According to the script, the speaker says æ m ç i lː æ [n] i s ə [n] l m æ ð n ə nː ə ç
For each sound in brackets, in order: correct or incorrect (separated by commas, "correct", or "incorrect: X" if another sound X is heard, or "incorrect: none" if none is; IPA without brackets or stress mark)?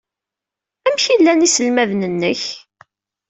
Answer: correct, incorrect: none